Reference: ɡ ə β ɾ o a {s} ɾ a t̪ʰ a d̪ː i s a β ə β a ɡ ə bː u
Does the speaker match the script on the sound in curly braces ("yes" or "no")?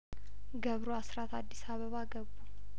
yes